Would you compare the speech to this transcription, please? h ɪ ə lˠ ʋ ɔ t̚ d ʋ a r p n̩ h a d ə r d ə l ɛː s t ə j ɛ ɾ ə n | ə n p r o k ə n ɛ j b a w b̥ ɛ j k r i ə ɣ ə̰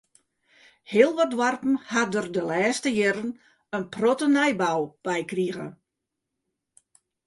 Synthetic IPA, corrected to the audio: h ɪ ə lˠ ʋ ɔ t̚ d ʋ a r p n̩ h a d ə r d ə l ɛː s t ə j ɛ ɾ ə n | ə n p r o t ə n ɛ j b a w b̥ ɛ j k r i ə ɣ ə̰